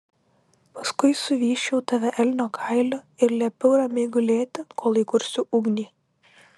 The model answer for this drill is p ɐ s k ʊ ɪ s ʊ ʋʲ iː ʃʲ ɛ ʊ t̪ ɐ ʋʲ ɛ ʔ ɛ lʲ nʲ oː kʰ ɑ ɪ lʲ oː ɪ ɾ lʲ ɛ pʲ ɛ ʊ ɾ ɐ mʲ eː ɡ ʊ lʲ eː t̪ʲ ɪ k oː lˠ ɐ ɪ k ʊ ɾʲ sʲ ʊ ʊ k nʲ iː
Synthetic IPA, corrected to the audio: p ɐ s k ʊ ɪ s ʊ ʋʲ iː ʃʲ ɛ ʊ t̪ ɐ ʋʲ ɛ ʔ ɛ lʲ nʲ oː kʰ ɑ ɪ lʲ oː ɪ ɾ lʲ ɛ pʲ ɛ ʊ ɾ ɐ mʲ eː ɡ ʊ lʲ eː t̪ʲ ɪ k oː lˠ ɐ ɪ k ʊ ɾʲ sʲ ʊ ʊ ɡ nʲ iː